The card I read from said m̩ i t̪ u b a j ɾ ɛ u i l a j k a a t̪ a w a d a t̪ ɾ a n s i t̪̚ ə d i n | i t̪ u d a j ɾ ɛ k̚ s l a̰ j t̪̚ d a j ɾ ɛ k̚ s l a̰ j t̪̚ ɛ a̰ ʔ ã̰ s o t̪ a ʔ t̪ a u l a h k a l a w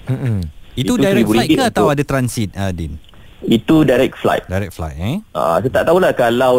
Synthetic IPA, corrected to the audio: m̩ i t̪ u d a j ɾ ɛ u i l a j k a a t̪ a w a d a t̪ ɾ a n s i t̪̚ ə d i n | i t̪ u d a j ɾ ɛ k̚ f l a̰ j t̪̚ d a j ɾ ɛ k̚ f l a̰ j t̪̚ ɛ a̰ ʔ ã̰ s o t̪ a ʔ t̪ a u l a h k a l a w